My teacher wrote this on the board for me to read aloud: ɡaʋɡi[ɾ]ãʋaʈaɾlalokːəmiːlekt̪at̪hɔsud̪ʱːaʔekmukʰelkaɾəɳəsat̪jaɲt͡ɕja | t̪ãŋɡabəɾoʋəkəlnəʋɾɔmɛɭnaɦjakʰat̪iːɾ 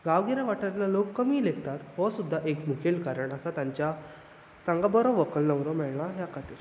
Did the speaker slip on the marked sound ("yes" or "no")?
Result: no